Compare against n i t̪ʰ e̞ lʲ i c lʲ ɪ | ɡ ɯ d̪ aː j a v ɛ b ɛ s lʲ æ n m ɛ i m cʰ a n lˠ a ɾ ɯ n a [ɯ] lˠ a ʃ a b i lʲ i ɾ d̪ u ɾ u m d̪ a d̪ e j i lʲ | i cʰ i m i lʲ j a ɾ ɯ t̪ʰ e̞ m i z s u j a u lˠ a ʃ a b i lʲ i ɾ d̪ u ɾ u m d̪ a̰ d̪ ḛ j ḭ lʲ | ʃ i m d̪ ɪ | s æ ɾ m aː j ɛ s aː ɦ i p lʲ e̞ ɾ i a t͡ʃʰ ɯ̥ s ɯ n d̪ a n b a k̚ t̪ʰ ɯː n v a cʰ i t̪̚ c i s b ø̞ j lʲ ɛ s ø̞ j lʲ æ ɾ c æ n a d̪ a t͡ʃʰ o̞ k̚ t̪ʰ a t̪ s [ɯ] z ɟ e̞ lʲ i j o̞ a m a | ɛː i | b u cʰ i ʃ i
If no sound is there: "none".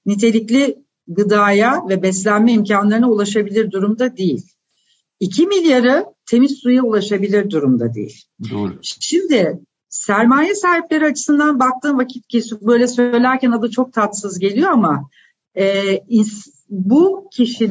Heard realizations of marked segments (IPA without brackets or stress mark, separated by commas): u, ɯ